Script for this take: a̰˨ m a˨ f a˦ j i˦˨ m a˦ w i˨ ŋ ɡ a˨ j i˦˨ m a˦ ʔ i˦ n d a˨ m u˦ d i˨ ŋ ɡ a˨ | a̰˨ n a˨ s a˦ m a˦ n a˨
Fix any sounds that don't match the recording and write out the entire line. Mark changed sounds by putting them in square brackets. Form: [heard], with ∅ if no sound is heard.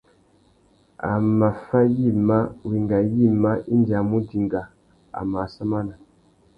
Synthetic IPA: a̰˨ m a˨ f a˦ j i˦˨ m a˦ w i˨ ŋ ɡ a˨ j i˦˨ m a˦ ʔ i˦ n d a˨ m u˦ d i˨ ŋ ɡ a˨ | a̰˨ [m] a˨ s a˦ m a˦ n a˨